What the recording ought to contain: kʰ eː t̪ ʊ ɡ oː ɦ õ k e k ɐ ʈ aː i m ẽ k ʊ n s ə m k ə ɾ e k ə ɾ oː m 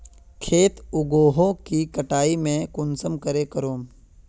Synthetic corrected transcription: kʰ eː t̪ ʊ ɡ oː ɦ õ k i k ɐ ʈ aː i m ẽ k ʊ n s ə m k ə ɾ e k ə ɾ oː m